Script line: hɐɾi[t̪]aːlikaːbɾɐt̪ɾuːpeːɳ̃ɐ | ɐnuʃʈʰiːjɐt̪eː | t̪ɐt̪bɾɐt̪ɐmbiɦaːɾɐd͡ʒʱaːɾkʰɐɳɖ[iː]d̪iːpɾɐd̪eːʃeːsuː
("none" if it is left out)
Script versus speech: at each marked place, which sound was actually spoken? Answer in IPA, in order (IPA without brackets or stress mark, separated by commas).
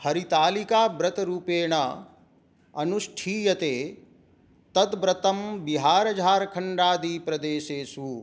t̪, aː